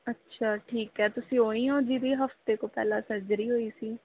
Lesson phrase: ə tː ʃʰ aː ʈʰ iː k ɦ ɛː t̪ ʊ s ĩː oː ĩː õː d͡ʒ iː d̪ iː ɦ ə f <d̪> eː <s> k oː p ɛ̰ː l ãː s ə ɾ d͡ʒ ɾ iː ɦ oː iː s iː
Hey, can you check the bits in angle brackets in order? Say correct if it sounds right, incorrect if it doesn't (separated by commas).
incorrect, incorrect